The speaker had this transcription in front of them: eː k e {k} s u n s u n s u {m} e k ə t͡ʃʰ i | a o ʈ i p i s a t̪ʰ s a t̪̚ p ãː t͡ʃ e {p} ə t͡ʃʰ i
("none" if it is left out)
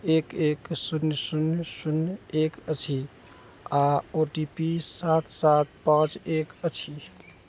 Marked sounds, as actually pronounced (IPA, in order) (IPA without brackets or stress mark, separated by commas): k, n, k